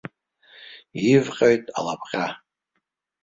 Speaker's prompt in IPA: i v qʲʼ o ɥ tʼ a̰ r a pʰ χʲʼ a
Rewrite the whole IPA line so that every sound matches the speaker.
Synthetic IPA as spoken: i v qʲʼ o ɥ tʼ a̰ l a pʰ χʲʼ a